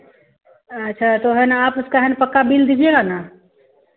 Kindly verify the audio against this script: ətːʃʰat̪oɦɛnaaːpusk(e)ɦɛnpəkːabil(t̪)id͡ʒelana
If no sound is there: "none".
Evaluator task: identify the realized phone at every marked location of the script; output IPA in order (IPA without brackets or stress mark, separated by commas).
a, d̪